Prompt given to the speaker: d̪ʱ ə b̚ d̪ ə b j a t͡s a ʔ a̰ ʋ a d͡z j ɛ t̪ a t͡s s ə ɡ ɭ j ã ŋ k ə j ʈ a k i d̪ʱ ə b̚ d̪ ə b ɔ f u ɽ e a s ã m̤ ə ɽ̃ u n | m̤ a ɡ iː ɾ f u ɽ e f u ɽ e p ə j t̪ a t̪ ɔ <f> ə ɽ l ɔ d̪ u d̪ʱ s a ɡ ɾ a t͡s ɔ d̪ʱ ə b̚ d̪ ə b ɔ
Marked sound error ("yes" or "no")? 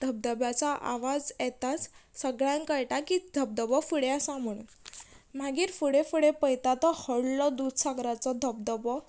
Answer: yes